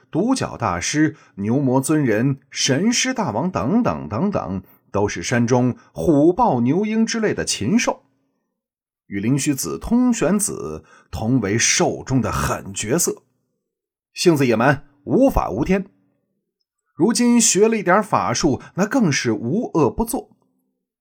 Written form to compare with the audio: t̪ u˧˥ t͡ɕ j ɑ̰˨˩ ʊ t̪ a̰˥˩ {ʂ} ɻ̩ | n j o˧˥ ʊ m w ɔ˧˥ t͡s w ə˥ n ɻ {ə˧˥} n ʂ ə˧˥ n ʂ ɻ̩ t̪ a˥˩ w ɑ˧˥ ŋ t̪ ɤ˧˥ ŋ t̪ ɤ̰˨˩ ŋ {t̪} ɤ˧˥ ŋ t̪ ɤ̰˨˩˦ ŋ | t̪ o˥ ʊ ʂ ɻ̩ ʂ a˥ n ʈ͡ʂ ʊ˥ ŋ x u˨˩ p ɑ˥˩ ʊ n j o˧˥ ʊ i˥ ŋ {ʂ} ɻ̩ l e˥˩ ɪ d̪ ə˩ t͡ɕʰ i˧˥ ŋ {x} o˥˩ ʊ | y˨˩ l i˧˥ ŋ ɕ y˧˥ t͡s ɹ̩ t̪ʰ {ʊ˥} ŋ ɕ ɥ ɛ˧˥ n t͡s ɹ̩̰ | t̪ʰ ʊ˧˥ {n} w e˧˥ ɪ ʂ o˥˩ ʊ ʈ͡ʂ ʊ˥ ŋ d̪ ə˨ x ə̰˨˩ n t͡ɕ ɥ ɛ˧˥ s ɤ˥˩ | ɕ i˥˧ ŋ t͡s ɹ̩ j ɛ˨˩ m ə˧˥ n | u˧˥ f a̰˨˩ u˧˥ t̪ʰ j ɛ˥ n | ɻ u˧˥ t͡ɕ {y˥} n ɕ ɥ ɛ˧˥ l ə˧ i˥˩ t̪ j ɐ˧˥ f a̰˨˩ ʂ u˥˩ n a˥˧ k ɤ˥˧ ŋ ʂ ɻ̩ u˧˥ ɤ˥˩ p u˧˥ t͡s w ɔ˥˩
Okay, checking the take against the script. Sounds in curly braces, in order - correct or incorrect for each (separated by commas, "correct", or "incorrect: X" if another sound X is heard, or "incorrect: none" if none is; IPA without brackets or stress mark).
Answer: correct, correct, correct, incorrect: ʈ͡ʂ, incorrect: ʂ, correct, incorrect: ŋ, incorrect: i˥